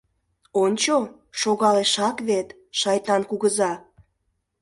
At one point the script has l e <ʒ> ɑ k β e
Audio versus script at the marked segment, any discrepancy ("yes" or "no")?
yes